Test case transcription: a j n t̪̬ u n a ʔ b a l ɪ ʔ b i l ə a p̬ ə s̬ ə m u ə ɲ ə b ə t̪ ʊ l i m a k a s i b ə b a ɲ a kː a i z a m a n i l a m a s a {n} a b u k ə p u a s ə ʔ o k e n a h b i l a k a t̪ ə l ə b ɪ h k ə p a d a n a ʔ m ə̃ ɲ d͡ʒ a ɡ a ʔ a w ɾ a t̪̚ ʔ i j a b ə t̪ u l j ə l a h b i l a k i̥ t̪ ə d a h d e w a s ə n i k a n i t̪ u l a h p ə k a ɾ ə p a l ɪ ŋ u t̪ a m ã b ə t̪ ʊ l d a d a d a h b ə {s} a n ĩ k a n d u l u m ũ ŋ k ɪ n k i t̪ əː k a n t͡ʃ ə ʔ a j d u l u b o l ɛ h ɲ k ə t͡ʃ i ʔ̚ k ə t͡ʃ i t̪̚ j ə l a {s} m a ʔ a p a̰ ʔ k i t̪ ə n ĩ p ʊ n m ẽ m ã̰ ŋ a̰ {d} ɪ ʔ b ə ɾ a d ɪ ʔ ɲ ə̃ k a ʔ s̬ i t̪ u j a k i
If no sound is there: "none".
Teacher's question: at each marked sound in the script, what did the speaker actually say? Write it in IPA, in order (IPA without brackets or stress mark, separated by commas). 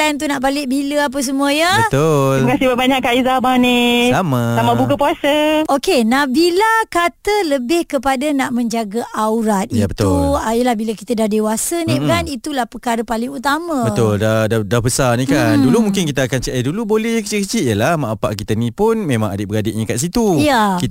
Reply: m, s, h, d